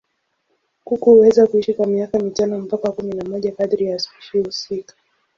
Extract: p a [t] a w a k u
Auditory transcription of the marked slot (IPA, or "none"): k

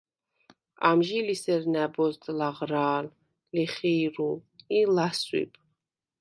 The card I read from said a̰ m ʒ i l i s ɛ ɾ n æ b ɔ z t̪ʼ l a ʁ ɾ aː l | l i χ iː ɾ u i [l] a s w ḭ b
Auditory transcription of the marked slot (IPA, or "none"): l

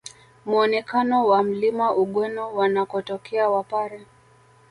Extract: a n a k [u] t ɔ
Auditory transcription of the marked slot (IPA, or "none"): ɔ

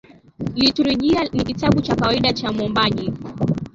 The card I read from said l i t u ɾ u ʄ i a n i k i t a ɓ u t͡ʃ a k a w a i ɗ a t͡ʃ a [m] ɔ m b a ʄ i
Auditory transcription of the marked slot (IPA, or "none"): m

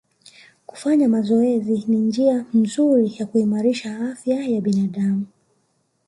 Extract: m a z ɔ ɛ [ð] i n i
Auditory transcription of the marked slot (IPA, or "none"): z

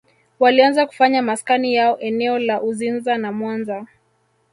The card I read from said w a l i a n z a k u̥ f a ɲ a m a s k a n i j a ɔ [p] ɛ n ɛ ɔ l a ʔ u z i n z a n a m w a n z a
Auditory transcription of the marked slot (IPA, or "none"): ʔ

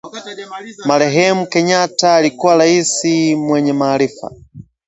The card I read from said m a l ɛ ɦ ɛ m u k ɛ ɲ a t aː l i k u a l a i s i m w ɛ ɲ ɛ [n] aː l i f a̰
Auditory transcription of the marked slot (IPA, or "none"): m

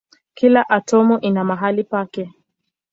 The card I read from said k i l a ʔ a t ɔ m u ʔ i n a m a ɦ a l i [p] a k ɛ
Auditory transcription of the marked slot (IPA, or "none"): p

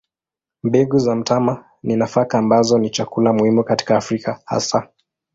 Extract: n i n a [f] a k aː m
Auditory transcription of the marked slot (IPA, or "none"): f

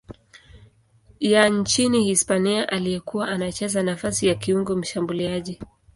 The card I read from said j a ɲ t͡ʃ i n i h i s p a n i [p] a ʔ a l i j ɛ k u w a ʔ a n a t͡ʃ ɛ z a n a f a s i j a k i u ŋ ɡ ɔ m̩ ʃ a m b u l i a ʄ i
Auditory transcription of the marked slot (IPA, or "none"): none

